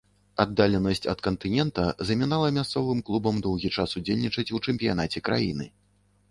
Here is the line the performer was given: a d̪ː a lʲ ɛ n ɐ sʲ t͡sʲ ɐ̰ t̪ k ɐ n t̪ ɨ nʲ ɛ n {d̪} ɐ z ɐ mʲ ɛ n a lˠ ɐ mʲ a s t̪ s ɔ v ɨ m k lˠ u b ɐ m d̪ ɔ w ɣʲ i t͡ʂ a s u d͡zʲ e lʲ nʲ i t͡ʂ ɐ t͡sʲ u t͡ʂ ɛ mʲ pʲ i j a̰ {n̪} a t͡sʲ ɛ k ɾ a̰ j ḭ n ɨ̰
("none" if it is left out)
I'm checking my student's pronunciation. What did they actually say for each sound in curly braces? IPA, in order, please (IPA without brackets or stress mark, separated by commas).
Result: t̪, n̪